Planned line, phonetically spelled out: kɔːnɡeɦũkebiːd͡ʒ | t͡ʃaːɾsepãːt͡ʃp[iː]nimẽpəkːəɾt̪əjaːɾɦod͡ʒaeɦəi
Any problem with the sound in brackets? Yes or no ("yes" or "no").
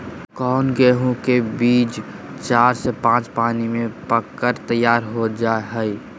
yes